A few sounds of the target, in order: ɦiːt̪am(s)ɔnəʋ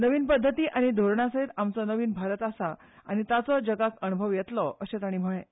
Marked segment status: incorrect: t͡s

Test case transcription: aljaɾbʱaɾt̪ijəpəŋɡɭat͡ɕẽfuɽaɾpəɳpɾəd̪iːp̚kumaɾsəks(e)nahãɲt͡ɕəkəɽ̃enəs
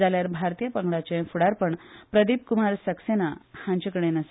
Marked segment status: correct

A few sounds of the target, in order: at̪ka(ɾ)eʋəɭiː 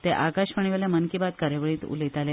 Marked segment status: correct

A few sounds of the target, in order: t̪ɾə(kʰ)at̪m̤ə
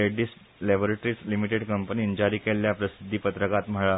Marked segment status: incorrect: k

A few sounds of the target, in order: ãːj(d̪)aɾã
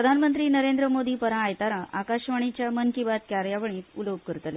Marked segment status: incorrect: t̪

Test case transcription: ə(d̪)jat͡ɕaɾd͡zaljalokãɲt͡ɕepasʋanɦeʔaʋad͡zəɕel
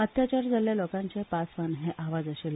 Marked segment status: incorrect: t̪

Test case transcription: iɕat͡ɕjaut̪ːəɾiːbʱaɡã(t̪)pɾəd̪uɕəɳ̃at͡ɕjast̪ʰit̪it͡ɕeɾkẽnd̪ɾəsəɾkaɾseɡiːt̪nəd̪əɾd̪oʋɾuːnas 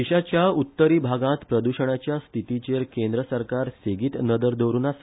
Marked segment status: correct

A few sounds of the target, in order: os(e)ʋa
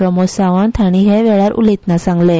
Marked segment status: incorrect: a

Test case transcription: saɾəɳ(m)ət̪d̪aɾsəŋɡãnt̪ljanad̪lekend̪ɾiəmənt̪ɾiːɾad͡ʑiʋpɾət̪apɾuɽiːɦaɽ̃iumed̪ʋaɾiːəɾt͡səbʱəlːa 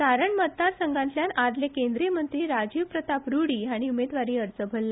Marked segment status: correct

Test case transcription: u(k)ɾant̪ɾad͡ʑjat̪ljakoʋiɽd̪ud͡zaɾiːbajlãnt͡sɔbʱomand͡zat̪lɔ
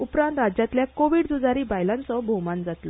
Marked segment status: incorrect: p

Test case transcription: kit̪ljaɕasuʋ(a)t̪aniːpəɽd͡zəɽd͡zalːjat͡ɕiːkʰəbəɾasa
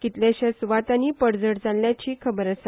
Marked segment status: correct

